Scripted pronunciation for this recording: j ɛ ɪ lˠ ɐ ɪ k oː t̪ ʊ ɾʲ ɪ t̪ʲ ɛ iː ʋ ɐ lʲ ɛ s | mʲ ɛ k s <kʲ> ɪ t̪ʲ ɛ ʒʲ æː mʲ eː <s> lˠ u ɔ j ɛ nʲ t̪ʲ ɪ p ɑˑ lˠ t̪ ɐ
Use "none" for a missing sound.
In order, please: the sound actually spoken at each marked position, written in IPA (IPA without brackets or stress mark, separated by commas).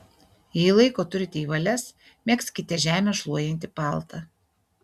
kʲ, ʃ